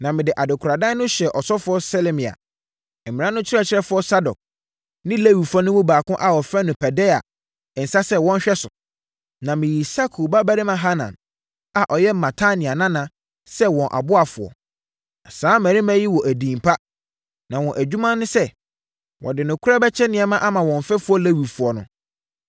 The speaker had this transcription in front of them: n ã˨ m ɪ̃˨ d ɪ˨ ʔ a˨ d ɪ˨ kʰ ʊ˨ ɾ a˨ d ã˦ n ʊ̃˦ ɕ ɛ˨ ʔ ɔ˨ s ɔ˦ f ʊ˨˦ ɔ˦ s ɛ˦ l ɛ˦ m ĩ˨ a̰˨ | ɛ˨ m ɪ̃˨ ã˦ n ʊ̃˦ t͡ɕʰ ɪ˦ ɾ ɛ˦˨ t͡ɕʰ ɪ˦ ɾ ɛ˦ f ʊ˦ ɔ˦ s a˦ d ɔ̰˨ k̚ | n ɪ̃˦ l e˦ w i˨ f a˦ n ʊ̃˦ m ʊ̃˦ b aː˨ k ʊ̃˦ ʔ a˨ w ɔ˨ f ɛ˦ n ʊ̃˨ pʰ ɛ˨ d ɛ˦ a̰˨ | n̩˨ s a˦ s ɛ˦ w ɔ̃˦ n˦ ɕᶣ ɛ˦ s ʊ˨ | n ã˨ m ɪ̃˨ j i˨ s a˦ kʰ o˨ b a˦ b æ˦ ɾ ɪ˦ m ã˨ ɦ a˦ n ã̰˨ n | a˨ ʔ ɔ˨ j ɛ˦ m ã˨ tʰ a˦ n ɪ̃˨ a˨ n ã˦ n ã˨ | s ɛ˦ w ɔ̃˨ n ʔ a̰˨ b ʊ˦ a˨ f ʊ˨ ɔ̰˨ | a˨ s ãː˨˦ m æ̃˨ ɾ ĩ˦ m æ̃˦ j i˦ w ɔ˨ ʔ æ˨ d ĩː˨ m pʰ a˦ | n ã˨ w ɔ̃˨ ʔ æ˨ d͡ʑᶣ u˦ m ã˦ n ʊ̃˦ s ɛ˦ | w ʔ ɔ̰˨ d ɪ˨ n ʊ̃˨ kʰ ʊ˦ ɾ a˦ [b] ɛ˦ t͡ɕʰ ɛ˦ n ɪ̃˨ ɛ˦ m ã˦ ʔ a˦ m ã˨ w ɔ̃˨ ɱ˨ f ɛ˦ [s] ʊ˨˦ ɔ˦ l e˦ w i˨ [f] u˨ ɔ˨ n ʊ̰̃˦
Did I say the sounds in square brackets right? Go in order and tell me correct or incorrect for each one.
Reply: correct, incorrect: f, correct

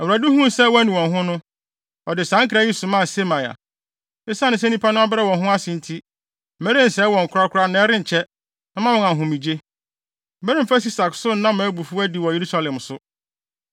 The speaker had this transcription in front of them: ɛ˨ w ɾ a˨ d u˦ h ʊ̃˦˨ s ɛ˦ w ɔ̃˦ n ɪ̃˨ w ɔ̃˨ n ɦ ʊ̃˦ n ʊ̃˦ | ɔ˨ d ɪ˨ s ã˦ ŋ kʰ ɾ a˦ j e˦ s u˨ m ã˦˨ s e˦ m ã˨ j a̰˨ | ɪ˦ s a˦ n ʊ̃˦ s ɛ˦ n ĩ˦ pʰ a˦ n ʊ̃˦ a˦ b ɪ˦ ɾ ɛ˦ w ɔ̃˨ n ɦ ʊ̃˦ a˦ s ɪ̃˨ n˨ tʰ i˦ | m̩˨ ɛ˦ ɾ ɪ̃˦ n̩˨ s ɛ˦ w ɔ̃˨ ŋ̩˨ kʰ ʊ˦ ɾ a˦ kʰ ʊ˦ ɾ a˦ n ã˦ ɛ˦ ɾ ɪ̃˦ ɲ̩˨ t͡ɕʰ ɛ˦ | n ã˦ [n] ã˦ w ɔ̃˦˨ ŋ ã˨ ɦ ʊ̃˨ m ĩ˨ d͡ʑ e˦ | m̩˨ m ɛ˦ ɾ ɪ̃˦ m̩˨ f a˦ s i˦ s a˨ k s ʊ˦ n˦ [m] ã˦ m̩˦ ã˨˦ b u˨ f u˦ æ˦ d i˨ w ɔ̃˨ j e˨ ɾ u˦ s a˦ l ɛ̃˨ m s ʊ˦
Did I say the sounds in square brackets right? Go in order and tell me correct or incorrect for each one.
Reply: incorrect: m, incorrect: n

